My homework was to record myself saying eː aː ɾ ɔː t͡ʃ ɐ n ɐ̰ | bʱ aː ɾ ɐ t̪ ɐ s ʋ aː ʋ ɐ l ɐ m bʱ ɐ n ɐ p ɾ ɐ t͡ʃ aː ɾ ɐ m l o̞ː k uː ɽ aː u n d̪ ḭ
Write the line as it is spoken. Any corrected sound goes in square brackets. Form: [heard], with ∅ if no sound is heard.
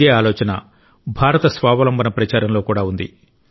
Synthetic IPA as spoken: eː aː [l] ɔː t͡ʃ ɐ n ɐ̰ | bʱ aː ɾ ɐ t̪ ɐ s ʋ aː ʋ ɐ l ɐ m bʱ ɐ n ɐ p ɾ ɐ t͡ʃ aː ɾ ɐ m l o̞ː k uː ɽ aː u n d̪ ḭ